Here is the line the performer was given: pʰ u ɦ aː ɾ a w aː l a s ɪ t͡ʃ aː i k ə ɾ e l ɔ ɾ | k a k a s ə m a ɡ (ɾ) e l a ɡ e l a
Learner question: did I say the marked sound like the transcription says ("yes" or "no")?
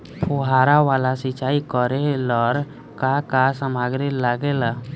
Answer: yes